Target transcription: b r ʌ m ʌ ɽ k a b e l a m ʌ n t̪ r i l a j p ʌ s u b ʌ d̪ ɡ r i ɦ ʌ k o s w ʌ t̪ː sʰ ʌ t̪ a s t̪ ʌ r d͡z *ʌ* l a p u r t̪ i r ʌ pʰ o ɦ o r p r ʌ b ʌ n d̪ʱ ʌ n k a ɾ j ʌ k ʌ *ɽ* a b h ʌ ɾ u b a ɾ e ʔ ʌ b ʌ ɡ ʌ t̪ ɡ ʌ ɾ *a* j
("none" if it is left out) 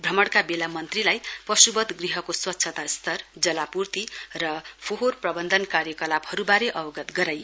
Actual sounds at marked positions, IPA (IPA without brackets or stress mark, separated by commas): ʌ, l, a